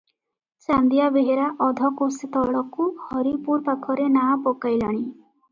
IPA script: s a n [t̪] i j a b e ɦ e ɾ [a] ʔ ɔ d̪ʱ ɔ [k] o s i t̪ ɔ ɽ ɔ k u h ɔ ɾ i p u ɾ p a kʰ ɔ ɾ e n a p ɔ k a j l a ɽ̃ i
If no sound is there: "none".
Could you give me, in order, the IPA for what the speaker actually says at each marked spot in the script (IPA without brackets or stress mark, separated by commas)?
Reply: d̪, a, k